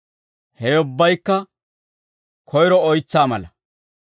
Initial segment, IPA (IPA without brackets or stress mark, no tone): h